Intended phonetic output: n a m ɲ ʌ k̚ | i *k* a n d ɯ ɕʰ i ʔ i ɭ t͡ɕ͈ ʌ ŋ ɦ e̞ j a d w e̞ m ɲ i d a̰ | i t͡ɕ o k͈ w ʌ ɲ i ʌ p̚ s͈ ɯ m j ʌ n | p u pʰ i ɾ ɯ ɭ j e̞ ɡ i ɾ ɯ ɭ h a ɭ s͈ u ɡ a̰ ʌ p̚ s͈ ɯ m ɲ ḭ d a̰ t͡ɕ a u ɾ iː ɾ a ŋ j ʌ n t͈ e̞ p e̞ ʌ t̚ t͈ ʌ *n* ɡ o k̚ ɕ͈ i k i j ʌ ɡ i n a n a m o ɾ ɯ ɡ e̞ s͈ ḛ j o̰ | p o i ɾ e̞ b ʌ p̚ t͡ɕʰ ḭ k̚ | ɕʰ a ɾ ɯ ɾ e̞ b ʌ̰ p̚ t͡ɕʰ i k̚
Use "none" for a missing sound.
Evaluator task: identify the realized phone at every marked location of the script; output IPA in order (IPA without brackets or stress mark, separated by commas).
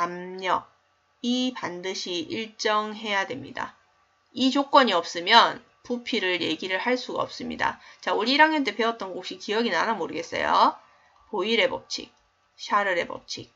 p, n